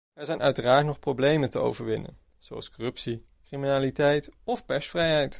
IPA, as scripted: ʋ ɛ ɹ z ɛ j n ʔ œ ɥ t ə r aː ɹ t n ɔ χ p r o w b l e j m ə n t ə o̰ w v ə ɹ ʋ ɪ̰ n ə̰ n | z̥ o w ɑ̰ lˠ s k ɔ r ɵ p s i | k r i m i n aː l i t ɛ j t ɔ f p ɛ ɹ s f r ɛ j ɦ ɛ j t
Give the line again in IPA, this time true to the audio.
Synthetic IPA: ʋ ɛ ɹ z ɛ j n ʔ œ ɥ t ə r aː ɹ t n ɔ χ p r o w b l e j m ə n t ə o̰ w v ə ɹ ʋ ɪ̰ n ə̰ n | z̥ o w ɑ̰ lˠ s k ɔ r ɵ p s i | k r i m i n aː l i t ɛ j t ɔ f p ɛ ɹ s f r ɛ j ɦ ɛ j t